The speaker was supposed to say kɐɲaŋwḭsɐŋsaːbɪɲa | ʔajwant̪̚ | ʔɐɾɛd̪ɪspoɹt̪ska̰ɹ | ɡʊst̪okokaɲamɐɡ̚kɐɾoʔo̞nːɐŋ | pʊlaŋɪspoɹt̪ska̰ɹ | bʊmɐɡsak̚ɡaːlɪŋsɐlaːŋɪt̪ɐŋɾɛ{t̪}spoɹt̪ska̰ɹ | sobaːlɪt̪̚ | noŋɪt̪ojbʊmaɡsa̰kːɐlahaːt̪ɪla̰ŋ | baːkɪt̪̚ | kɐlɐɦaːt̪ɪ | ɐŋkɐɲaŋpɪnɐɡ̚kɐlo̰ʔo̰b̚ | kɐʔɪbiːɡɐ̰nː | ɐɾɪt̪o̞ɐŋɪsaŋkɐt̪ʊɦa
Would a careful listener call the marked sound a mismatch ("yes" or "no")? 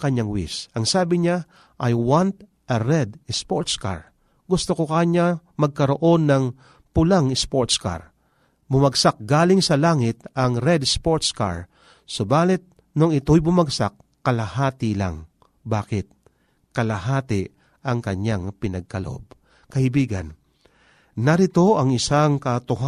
yes